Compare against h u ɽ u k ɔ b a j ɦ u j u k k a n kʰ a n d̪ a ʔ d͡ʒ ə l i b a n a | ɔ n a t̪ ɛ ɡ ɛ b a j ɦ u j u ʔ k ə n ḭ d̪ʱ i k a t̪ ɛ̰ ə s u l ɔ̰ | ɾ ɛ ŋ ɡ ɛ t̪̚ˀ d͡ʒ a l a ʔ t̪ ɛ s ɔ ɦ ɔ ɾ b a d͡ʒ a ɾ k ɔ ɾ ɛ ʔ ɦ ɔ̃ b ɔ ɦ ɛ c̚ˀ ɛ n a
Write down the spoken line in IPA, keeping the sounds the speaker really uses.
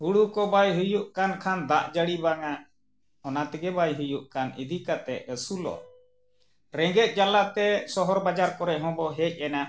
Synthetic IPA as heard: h u ɽ u k ɔ b a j ɦ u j u ʔ k a n kʰ a n d̪ a ʔ d͡ʒ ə ɽ i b a ŋ a | ɔ n a t̪ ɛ ɡ ɛ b a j ɦ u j u ʔ k a n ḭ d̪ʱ i k a t̪ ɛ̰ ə s u l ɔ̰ | ɾ ɛ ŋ ɡ ɛ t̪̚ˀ d͡ʒ a l a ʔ t̪ ɛ s ɔ ɦ ɔ ɾ b a d͡ʒ a ɾ k ɔ ɾ ɛ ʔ ɦ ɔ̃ b ɔ ɦ ɛ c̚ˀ ɛ n a